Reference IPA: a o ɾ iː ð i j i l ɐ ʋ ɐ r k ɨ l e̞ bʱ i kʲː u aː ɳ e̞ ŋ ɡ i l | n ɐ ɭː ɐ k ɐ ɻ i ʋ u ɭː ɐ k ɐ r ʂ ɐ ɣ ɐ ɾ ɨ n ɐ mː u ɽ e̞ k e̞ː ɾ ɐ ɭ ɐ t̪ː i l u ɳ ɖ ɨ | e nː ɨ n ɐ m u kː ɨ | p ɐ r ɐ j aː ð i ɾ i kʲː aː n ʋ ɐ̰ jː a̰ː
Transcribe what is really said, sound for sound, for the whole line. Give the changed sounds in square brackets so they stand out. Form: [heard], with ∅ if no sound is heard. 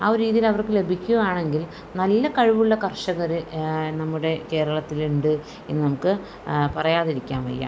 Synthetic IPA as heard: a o ɾ iː ð i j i l ɐ ʋ ɐ r k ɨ l e̞ bʱ i kʲː u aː ɳ e̞ ŋ ɡ i l | n ɐ [lː] ɐ k ɐ ɻ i ʋ u ɭː ɐ k ɐ r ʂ ɐ ɣ ɐ ɾ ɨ n ɐ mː u ɽ e̞ k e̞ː ɾ ɐ ɭ ɐ t̪ː i l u ɳ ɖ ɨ | e nː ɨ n ɐ m u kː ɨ | p ɐ r ɐ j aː ð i ɾ i kʲː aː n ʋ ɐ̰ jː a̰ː